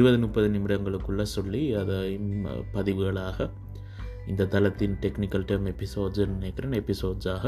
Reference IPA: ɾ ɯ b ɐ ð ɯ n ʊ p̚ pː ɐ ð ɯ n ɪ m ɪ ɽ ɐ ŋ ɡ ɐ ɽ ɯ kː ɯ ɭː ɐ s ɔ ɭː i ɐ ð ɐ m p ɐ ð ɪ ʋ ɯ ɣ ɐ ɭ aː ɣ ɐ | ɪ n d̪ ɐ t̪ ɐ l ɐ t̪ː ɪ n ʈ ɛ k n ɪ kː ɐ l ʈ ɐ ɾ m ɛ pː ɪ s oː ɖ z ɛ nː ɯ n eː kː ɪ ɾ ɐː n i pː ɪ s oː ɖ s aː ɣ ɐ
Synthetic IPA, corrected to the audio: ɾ ɯ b ɐ ð ɯ n ʊ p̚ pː ɐ ð ɯ n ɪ m ɪ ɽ ɐ ŋ ɡ ɐ ɭ ɯ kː ɯ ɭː ɐ s ɔ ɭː i ɐ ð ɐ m p ɐ ð ɪ ʋ ɯ ɣ ɐ ɭ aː ɣ ɐ | ɪ n d̪ ɐ t̪ ɐ l ɐ t̪ː ɪ n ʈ ɛ k n ɪ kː ɐ l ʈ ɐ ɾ m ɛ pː ɪ s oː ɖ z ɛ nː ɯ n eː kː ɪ ɾ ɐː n ɛ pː ɪ s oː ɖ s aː ɣ ɐ